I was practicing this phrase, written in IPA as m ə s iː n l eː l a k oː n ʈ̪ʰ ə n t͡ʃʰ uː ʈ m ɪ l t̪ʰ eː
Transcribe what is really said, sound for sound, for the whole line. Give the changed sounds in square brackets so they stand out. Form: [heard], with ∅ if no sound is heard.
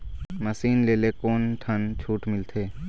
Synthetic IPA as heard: m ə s iː n l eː l [e] k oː n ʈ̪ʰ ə n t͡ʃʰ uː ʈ m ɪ l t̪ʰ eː